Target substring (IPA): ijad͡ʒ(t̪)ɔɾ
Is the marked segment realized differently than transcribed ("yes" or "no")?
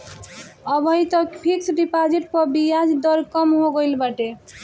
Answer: yes